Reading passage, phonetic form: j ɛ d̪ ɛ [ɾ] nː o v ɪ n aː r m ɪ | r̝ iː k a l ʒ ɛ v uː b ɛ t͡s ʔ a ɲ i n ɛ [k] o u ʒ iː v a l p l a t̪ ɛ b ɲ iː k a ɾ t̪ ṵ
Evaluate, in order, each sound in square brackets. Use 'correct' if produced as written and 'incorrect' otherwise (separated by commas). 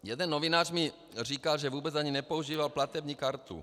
incorrect, incorrect